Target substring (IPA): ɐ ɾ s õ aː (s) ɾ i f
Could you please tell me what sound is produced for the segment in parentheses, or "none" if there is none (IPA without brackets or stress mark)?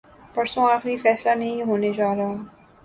x